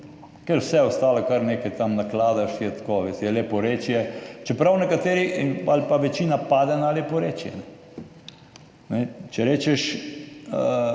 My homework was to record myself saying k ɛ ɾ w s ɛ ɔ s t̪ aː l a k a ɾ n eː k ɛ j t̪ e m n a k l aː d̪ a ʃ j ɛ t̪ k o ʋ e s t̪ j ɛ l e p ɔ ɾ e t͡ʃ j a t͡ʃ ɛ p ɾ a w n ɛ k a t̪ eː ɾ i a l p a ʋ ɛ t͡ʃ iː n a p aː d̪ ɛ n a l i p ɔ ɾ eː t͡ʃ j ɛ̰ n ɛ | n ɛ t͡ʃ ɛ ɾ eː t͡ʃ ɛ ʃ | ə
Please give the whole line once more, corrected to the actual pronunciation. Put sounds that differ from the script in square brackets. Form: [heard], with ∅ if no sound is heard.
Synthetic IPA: k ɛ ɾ w s ɛ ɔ s t̪ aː l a k a ɾ n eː k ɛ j t̪ [a] m n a k l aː d̪ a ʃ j ɛ t̪ k o ʋ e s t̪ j ɛ l e p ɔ ɾ e t͡ʃ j [ɛ] t͡ʃ ɛ p ɾ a w n ɛ k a t̪ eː ɾ i a l p a ʋ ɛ t͡ʃ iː n a p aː d̪ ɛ n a l [e] p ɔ ɾ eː t͡ʃ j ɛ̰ n ɛ | n ɛ t͡ʃ ɛ ɾ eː t͡ʃ ɛ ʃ | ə

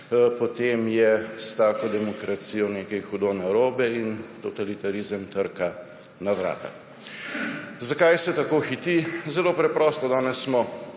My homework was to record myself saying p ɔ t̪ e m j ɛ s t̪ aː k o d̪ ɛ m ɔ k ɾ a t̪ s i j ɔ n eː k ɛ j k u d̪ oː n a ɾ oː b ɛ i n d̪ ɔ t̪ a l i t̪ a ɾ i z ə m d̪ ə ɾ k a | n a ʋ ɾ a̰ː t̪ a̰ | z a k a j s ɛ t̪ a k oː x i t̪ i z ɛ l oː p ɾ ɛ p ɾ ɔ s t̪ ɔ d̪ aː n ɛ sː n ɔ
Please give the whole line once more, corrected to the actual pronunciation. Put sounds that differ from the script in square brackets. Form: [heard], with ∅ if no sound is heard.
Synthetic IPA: p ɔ t̪ e m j ɛ s t̪ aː k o d̪ ɛ m ɔ k ɾ a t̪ s i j ɔ n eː k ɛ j [x] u d̪ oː n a ɾ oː b ɛ i n [t̪] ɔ t̪ a l i t̪ a ɾ i z ə m [t̪] ə ɾ k a | n a ʋ ɾ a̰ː t̪ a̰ | z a k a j s ɛ t̪ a k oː x i t̪ i z ɛ l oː p ɾ ɛ p ɾ ɔ s t̪ ɔ d̪ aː n ɛ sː [m] ɔ

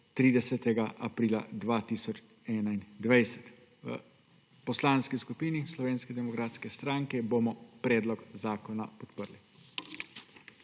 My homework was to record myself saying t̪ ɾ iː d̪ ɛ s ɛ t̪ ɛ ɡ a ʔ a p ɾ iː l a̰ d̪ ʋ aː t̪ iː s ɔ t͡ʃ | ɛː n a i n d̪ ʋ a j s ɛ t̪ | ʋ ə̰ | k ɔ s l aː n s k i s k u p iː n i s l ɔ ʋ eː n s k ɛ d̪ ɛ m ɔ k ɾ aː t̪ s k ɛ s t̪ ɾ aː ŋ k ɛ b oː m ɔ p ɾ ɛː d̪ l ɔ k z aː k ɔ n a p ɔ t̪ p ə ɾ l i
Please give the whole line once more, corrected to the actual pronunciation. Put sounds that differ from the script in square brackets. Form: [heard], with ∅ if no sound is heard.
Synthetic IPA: t̪ ɾ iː d̪ ɛ s ɛ t̪ ɛ ɡ a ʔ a p ɾ iː l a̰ d̪ ʋ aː t̪ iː s ɔ t͡ʃ | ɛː n a i n d̪ ʋ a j s ɛ t̪ | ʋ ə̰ | [p] ɔ s l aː n s k i s k u p iː n i s l ɔ ʋ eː n s k ɛ d̪ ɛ m ɔ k ɾ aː t̪ s k ɛ s t̪ ɾ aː ŋ k ɛ b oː m ɔ p ɾ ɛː d̪ l ɔ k z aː k ɔ n a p ɔ t̪ p ə ɾ l i

